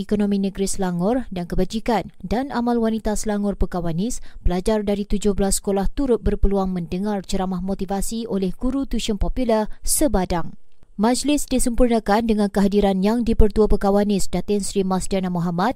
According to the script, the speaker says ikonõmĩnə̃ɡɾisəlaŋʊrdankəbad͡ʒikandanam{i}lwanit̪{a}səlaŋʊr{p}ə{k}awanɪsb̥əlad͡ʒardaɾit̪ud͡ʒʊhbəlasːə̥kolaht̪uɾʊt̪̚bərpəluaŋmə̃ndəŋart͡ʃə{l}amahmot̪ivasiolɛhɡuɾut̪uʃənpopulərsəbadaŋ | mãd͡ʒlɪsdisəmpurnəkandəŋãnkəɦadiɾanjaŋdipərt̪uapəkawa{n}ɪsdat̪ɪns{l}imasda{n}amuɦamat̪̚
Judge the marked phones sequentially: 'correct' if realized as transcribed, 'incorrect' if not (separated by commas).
incorrect, correct, correct, correct, incorrect, correct, incorrect, correct